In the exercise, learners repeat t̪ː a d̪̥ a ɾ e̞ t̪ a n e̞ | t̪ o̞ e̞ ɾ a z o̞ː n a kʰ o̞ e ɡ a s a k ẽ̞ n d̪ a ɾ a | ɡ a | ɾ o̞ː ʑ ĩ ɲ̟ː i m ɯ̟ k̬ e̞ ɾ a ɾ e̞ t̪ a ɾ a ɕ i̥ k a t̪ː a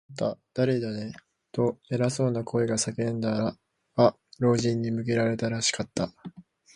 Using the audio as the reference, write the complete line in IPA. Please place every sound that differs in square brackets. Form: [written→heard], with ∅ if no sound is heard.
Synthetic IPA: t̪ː a d̪̥ a ɾ e̞ [t̪→d̪] a n e̞ | t̪ o̞ e̞ ɾ a [z→s] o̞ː n a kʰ o̞ e ɡ a s a k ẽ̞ n d̪ a ɾ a | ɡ a | ɾ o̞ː ʑ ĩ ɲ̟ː i m ɯ̟ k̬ e̞ ɾ a ɾ e̞ t̪ a ɾ a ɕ i̥ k a t̪ː a